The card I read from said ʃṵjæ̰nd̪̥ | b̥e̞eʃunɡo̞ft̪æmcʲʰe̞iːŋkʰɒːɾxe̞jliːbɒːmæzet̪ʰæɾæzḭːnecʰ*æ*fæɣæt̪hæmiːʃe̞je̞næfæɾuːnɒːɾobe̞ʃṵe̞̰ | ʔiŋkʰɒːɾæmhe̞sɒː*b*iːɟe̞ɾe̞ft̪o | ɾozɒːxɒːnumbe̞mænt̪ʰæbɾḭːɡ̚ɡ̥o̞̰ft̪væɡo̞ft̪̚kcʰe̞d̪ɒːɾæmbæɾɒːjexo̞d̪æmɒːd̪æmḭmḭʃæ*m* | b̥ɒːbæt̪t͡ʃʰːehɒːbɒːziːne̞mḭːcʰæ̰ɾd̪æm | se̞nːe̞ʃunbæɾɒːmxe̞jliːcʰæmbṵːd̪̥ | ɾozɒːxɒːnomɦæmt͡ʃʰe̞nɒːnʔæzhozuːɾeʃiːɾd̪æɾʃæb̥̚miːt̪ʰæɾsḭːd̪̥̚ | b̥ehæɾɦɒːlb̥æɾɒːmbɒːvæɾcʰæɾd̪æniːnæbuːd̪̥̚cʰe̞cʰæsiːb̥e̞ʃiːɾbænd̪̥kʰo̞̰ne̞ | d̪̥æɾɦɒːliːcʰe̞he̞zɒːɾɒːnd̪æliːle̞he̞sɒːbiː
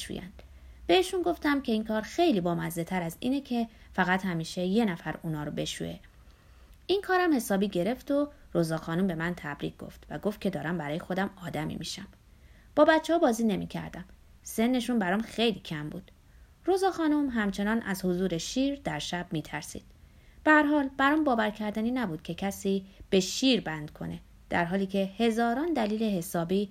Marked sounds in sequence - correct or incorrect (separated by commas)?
incorrect, correct, correct